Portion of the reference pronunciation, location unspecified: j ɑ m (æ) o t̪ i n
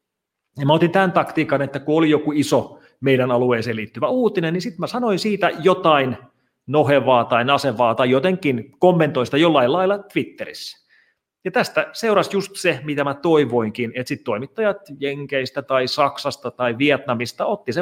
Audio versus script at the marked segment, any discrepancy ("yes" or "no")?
no